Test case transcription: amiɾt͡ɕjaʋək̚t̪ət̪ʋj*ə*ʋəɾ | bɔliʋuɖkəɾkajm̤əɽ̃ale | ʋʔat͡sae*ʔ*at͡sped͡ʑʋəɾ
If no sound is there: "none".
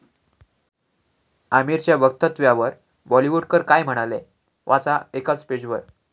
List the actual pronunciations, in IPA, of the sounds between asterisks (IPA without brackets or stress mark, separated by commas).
a, k